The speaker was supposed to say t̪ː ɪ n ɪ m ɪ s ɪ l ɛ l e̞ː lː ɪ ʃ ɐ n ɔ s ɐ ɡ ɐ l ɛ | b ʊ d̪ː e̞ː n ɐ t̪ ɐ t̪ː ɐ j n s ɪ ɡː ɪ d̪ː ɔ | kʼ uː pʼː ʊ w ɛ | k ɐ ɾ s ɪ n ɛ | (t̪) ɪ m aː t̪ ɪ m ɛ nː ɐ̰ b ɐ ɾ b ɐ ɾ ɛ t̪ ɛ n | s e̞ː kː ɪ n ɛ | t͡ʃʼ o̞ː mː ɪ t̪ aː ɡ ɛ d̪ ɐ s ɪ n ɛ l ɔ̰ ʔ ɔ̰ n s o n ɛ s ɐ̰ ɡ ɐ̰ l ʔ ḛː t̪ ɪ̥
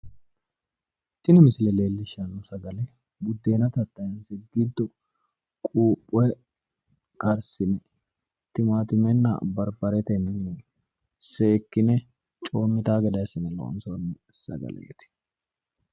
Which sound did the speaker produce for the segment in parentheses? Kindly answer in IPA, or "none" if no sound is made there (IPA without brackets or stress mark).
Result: t̪